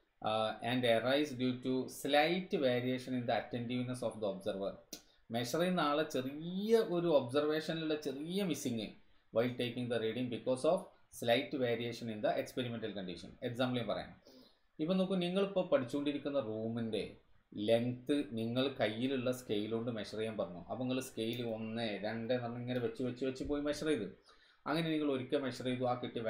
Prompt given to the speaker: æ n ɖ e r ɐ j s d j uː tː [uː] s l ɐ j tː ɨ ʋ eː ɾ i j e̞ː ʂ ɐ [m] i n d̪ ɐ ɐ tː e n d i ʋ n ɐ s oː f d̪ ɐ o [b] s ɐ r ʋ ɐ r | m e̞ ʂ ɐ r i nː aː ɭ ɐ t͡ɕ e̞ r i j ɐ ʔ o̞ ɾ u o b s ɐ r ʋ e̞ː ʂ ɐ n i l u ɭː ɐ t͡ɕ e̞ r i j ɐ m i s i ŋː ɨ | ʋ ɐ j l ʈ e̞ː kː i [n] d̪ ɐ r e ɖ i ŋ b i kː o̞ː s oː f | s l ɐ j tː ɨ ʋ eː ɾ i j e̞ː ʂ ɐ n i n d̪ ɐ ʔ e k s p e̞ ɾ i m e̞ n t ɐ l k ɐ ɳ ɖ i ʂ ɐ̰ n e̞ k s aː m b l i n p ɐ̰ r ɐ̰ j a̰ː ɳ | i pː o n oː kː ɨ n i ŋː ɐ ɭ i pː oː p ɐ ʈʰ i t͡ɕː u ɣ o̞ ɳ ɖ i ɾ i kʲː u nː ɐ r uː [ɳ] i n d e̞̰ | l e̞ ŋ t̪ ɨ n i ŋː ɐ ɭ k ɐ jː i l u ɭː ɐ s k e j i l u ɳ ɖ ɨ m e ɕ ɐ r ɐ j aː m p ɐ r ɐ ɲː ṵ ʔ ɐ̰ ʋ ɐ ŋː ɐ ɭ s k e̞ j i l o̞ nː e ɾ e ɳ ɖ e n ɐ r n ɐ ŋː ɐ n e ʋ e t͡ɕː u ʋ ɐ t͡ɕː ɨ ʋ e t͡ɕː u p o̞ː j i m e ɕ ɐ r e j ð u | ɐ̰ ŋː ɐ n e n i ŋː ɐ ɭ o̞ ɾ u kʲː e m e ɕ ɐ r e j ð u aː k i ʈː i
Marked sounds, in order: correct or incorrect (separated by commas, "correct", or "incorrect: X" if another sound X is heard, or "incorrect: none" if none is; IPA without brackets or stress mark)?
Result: incorrect: u, incorrect: n, correct, incorrect: ŋ, incorrect: m